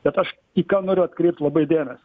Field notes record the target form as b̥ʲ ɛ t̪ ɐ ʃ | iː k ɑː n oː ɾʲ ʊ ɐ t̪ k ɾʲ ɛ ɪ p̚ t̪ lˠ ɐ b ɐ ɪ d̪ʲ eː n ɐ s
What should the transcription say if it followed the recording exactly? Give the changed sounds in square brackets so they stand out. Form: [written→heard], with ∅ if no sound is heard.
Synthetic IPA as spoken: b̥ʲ ɛ t̪ ɐ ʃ | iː k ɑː n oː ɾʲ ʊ ɐ t̪ k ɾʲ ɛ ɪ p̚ t̪ lˠ ɐ b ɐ ɪ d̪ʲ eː n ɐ s